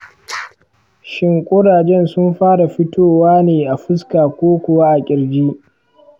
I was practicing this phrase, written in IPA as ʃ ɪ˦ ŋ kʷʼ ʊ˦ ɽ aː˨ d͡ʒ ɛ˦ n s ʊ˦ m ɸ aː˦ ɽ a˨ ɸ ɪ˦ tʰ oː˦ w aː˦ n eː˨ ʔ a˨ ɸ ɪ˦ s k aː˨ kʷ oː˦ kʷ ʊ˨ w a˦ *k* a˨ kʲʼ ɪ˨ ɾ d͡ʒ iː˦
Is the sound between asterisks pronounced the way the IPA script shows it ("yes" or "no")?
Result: no